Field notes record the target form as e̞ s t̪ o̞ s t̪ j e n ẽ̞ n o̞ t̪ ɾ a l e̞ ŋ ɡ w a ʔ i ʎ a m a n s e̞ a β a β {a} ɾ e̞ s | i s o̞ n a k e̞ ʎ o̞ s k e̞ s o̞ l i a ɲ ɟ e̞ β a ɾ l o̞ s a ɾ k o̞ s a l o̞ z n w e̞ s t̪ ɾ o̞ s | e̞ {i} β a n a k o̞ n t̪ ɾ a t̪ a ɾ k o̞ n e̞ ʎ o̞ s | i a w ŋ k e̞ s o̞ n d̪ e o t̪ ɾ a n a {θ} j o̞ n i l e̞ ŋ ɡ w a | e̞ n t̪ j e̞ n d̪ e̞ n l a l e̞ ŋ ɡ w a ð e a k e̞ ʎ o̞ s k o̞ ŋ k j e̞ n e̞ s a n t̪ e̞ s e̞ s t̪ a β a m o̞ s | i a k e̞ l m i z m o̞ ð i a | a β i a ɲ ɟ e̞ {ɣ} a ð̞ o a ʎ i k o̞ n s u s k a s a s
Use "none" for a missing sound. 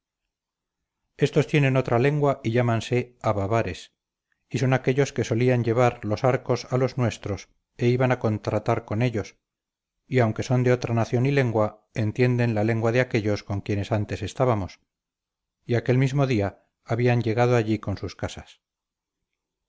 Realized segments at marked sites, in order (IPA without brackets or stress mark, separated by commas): a, i, θ, ɣ